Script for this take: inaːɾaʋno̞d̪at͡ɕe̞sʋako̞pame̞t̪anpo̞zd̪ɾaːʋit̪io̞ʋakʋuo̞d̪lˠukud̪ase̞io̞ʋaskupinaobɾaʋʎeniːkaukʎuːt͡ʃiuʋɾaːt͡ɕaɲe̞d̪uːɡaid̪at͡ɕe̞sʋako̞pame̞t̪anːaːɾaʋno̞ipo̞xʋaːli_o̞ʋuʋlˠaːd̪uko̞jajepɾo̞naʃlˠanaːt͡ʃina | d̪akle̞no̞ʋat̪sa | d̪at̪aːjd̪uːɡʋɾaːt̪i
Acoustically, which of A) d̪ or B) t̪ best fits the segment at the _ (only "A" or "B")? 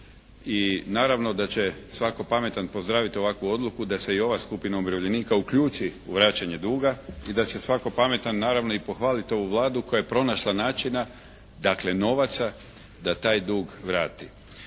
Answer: B